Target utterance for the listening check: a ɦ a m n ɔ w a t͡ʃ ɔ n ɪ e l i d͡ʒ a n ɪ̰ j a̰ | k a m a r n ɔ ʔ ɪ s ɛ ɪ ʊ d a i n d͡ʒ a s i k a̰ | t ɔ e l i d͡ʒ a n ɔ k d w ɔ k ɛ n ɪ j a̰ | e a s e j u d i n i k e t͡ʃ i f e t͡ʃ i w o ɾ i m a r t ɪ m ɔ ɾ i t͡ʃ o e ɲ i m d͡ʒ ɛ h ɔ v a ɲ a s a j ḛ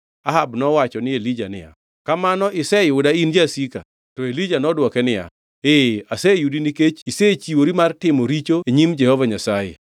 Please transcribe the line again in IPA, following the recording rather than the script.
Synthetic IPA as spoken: a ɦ a b n ɔ w a t͡ʃ ɔ n ɪ e l i d͡ʒ a n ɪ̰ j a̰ | k a m a n ɔ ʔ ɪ s ɛ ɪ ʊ d a i n d͡ʒ a s i k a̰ | t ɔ e l i d͡ʒ a n ɔ d w ɔ k ɛ n ɪ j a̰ | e a s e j u d i n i k e t͡ʃ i s e t͡ʃ i w o ɾ i m a r t ɪ m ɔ ɾ i t͡ʃ o e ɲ i m d͡ʒ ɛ h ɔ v a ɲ a s a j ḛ